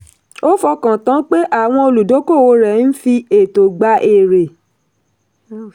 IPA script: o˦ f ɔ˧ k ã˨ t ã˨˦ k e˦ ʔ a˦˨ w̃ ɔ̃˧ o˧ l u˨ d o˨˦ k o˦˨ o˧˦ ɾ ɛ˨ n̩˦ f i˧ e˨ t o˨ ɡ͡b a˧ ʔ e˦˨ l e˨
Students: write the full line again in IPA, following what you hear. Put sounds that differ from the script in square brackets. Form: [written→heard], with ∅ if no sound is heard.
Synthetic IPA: o˦ f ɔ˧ k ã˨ t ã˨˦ [k→k͡p] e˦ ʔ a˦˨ w̃ ɔ̃˧ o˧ l u˨ d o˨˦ k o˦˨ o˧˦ ɾ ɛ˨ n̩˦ f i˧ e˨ t o˨ ɡ͡b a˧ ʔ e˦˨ [l→ɾ] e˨